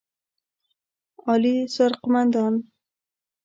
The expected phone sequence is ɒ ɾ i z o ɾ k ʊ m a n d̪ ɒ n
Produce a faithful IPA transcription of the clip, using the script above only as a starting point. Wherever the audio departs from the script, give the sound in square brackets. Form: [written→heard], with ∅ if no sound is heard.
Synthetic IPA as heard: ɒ [ɾ→l] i [z→s] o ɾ [k→q] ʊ m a n d̪ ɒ n